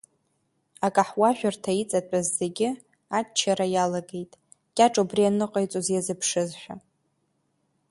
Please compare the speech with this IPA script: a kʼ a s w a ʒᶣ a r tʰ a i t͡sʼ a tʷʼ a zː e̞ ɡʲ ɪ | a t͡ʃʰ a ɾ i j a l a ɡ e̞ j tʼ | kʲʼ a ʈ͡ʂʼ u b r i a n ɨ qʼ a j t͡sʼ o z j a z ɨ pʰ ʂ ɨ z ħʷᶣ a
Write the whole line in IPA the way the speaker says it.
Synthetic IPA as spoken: a kʼ a ħ w a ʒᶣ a r tʰ a i t͡sʼ a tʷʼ a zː e̞ ɡʲ ɪ | a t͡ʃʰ a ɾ a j a l a ɡ e̞ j tʼ | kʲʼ a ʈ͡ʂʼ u b r i a n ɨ qʼ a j t͡sʼ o z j a z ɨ pʰ ʂ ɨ z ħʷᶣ a